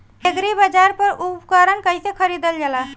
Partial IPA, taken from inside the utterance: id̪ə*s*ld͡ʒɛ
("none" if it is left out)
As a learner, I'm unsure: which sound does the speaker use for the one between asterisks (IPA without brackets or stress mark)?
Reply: none